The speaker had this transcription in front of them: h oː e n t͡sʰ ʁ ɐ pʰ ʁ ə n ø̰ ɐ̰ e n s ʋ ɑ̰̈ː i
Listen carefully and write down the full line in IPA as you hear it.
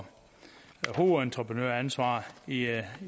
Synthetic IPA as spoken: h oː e n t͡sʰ ʁ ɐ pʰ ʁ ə n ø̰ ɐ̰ æ n s ʋ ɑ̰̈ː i